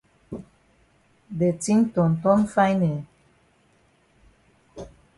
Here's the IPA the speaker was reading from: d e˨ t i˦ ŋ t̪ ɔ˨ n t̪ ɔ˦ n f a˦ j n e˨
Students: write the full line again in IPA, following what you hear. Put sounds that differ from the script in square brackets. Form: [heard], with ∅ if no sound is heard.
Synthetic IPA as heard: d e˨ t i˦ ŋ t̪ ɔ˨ n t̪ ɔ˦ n f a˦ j n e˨